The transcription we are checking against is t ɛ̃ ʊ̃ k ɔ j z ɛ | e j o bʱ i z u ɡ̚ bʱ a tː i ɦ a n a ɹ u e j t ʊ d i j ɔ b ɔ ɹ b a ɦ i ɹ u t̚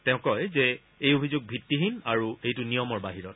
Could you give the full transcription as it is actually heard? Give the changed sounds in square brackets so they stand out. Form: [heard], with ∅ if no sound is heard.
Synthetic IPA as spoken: t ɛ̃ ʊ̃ k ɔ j z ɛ | e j o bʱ i z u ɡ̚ bʱ [i] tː i ɦ [i] n a ɹ u e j t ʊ [n] i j ɔ [m] ɔ ɹ b a ɦ i ɹ [ɔ] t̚